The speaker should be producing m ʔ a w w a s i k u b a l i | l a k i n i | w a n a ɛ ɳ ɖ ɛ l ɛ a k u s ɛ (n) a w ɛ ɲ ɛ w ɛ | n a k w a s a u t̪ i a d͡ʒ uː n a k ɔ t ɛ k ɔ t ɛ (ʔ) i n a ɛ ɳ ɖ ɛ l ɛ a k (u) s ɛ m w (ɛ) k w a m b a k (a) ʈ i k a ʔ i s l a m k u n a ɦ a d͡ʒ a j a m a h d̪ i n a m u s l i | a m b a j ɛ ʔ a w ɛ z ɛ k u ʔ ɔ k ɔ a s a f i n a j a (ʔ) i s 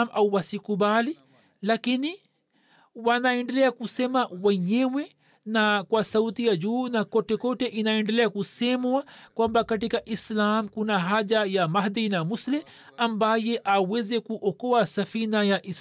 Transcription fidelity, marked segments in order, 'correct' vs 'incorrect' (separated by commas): incorrect, correct, correct, incorrect, correct, correct